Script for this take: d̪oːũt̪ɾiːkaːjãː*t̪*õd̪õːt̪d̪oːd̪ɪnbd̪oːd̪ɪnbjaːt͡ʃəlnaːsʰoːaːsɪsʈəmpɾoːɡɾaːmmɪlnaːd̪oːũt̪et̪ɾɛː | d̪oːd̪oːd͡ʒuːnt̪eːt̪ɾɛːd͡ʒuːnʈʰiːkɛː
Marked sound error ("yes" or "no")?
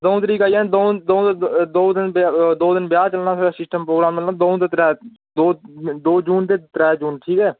yes